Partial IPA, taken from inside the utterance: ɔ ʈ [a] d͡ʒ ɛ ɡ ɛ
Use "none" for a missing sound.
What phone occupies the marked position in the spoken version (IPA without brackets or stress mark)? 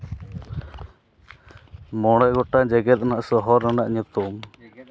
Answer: a